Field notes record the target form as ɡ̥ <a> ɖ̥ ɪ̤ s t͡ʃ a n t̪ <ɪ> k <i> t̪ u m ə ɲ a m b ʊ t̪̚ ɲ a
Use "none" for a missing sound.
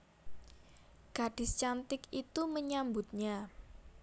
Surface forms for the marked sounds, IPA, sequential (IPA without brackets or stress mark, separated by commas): a, ɪ, i